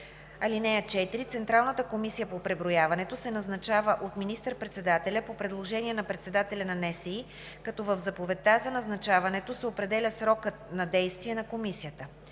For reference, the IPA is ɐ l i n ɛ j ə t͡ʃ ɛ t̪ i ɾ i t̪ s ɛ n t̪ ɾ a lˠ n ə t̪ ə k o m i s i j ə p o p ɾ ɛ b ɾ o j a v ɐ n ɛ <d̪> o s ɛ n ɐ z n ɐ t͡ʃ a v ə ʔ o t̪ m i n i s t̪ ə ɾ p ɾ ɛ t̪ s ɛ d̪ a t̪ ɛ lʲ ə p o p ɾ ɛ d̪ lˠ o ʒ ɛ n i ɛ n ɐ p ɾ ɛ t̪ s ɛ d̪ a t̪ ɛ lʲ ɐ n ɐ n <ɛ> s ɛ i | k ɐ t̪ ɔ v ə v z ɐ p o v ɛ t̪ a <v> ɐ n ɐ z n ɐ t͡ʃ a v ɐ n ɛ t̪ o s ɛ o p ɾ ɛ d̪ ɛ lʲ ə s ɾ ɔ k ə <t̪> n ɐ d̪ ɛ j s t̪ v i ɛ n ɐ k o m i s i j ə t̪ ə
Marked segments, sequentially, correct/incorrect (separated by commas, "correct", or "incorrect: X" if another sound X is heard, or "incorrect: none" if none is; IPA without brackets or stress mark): incorrect: t̪, correct, incorrect: z, correct